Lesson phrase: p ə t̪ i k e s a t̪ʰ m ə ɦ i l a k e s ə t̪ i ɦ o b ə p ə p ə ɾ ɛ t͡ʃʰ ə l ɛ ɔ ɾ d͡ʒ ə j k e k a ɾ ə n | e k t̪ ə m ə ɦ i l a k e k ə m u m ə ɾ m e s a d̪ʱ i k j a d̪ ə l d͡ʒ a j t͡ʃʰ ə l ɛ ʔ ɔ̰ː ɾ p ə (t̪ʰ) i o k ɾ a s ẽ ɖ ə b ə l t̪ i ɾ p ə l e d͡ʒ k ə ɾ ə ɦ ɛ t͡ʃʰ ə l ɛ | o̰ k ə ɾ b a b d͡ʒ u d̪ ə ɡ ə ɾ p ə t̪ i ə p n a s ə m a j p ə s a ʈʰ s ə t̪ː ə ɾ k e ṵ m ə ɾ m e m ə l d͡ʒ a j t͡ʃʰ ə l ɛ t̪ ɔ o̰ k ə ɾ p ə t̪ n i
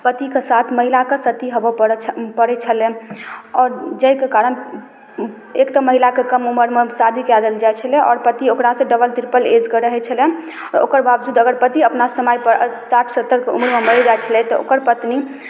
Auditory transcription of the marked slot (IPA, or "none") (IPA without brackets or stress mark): t̪